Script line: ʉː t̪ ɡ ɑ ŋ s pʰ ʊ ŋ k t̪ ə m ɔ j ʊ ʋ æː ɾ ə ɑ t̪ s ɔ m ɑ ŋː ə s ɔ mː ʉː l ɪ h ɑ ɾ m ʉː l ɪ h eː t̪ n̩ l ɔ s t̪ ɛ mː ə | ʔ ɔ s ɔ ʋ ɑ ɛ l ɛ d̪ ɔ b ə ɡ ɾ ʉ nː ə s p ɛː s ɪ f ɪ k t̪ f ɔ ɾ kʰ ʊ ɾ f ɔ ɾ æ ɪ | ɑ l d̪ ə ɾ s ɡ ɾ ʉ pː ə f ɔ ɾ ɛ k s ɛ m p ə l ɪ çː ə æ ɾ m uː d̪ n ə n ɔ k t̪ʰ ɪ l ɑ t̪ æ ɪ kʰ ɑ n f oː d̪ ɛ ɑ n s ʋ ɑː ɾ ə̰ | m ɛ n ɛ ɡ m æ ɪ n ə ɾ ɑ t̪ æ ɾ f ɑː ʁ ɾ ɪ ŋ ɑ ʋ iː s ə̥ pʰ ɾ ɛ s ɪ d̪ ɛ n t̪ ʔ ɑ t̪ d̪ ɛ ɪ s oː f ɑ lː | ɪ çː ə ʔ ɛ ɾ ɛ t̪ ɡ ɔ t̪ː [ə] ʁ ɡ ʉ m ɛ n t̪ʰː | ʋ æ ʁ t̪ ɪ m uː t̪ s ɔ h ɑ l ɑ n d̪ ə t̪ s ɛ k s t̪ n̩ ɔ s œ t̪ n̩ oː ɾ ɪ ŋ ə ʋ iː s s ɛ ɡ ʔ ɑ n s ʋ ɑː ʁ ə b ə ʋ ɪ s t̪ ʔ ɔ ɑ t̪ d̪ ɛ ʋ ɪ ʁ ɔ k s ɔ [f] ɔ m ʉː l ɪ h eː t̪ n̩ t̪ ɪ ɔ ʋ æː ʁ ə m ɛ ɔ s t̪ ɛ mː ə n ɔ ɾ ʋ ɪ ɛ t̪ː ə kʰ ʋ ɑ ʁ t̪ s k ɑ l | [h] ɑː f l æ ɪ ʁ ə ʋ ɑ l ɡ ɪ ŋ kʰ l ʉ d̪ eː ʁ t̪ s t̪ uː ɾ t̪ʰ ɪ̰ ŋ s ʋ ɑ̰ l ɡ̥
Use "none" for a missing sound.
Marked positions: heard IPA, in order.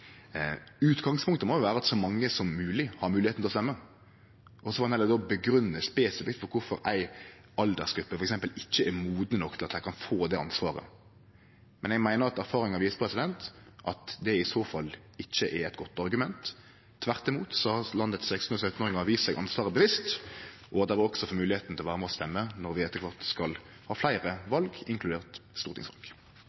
ɑ, f, h

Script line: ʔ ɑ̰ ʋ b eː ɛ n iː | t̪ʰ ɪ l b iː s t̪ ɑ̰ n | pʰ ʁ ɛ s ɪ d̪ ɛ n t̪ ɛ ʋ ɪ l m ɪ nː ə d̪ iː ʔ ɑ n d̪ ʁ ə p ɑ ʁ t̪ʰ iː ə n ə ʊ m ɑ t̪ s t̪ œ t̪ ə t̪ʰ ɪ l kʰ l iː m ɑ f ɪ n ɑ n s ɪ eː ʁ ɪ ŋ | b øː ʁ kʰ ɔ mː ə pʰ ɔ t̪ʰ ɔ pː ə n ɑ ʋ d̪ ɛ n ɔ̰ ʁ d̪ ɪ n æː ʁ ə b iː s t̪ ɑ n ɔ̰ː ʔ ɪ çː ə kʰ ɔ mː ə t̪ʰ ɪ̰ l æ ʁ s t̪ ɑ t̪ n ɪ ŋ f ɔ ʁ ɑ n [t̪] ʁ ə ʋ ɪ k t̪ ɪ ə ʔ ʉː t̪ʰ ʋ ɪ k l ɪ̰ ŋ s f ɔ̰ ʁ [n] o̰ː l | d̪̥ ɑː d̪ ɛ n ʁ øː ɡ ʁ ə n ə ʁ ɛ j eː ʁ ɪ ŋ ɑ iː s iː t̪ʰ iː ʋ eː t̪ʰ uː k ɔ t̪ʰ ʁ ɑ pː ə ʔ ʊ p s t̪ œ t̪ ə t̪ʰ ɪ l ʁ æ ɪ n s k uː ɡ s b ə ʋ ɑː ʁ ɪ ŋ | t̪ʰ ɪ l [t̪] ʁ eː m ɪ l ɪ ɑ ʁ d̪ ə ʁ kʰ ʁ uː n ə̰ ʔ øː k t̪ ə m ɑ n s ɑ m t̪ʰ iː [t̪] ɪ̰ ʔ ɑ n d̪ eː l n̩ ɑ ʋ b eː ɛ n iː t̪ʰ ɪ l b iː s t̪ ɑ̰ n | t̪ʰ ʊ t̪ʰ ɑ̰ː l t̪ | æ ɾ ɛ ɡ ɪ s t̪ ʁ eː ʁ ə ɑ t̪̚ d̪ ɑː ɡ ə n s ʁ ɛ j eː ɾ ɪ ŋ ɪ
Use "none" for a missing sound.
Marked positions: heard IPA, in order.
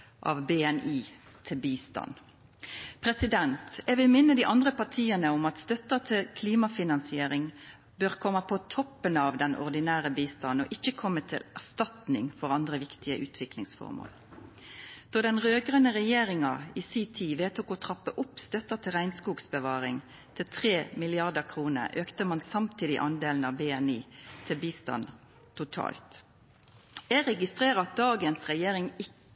d̪, m, t̪ʰ, d̪

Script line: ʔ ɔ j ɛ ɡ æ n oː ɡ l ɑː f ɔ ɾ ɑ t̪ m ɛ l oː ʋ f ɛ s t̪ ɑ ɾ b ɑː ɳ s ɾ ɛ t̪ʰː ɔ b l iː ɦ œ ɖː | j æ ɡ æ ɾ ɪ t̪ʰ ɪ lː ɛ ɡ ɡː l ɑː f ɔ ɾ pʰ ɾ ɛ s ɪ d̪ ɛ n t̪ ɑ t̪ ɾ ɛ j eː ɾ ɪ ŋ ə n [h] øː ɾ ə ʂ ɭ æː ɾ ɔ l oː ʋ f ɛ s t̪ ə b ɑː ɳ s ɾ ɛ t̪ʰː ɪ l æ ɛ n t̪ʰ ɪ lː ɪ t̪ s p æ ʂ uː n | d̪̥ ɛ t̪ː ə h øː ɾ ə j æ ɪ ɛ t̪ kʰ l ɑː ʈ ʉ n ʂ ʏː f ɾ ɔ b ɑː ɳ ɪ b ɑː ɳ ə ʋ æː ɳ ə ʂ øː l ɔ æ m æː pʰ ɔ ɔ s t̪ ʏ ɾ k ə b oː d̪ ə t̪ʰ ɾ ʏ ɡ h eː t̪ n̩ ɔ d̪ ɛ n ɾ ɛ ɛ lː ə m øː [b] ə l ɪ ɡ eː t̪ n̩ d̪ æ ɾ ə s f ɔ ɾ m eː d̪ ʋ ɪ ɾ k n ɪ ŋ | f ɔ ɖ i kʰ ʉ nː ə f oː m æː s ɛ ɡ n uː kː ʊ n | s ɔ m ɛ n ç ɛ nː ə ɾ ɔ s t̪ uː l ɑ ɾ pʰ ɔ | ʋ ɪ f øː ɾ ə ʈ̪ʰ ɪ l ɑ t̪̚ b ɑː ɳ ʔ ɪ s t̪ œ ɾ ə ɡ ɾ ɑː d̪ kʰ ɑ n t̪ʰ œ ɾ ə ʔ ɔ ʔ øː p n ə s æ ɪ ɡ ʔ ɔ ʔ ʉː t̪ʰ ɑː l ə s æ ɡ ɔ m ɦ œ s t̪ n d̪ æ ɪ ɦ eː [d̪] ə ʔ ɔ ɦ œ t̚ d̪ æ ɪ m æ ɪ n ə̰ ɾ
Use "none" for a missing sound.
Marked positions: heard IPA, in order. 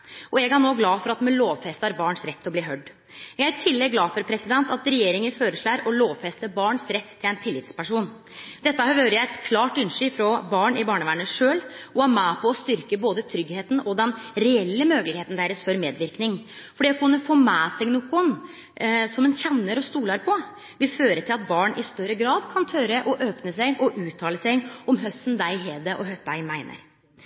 f, ɡ, d̪

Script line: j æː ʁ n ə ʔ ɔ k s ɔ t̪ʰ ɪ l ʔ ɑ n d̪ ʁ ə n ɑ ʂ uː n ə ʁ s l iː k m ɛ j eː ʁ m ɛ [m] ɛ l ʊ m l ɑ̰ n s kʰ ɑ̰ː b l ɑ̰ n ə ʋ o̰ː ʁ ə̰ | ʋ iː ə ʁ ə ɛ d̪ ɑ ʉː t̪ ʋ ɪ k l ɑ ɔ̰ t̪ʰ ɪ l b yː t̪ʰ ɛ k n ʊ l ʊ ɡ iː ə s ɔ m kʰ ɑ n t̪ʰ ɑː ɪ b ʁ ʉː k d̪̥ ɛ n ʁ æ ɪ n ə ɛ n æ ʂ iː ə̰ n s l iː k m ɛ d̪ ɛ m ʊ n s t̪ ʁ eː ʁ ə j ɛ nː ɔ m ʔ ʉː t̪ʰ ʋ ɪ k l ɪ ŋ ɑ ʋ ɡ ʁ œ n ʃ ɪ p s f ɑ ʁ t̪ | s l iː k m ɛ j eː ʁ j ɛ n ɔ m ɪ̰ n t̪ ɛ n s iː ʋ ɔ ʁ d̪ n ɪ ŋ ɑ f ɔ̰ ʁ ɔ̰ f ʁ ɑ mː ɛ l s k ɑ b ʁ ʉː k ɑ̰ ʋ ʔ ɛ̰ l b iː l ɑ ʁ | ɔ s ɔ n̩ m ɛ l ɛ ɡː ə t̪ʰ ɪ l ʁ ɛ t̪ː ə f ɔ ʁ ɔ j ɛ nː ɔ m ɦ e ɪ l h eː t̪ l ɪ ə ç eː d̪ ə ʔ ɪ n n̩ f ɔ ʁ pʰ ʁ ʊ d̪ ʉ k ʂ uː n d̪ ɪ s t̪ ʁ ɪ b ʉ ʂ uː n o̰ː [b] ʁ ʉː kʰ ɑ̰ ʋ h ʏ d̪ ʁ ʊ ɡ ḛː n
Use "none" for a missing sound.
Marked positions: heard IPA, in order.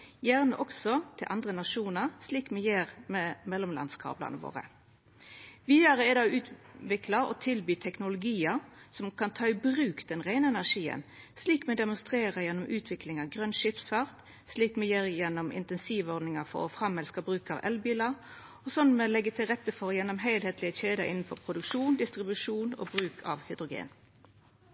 m, b

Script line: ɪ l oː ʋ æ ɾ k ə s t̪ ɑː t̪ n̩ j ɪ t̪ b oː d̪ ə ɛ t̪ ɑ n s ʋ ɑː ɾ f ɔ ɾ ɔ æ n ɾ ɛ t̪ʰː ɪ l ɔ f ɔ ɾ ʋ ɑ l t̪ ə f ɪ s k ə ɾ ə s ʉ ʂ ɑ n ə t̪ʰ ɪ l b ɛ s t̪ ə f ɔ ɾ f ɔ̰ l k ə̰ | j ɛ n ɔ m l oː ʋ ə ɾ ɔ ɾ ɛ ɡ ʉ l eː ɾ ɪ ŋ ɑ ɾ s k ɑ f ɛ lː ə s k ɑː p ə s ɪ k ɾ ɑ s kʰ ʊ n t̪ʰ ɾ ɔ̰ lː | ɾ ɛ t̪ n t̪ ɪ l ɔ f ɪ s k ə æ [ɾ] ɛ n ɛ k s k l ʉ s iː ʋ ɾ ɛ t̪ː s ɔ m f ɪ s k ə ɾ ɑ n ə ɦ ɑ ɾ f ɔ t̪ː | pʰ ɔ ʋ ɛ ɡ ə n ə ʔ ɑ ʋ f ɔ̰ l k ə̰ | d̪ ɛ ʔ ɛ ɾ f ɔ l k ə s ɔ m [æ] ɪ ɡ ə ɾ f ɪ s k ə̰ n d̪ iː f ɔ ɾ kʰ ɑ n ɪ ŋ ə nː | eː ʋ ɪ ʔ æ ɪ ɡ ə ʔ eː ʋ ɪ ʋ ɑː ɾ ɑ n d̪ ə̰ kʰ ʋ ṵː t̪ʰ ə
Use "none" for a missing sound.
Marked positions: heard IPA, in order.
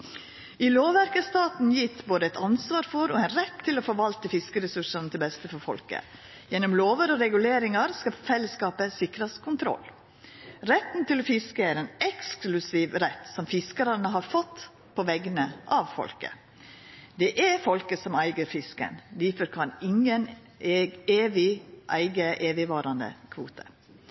ɾ, æ

